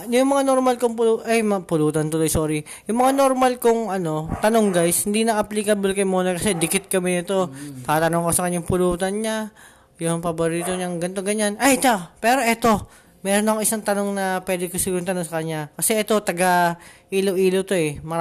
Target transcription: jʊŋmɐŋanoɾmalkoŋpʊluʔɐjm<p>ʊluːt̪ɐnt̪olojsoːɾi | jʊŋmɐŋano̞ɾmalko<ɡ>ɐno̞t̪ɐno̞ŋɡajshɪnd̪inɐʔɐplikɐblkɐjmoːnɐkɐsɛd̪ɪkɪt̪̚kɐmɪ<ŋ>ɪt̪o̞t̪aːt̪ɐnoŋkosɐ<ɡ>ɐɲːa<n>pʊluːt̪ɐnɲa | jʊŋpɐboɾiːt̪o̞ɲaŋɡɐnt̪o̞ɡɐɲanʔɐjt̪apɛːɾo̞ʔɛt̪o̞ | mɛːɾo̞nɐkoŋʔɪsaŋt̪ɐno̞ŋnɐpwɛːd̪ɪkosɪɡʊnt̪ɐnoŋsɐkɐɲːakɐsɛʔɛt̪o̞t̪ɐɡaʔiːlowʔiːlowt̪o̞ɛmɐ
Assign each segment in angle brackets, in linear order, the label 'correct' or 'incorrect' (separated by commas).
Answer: correct, incorrect, incorrect, incorrect, incorrect